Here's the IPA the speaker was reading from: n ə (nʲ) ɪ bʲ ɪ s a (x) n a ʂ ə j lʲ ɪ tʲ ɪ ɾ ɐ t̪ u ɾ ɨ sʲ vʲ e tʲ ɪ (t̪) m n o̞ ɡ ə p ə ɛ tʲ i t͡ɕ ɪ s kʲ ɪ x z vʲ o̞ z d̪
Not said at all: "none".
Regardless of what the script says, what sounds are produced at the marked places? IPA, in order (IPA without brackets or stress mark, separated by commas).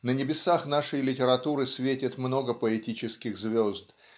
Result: nʲ, x, t̪